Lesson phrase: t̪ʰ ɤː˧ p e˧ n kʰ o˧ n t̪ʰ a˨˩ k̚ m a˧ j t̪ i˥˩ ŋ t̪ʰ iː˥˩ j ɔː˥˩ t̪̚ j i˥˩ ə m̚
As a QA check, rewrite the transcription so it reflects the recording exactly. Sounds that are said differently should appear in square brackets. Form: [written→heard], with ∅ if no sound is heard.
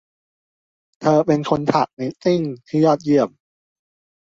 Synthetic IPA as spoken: t̪ʰ ɤː˧ p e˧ n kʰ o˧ n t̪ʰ a˨˩ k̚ [m→n] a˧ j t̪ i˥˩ ŋ t̪ʰ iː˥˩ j ɔː˥˩ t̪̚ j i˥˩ ə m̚